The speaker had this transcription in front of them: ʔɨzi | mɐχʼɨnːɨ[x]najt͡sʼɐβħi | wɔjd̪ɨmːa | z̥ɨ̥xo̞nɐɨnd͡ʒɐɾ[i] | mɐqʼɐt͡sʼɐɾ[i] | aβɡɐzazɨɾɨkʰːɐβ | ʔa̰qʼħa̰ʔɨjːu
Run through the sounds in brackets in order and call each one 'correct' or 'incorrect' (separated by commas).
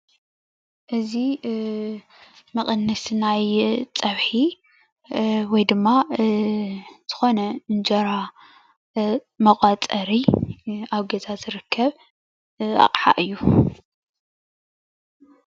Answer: incorrect, incorrect, correct